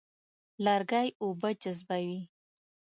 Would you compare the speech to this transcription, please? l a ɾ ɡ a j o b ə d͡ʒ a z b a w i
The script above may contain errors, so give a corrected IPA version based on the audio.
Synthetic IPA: l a ɾ ɡ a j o b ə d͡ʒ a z b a w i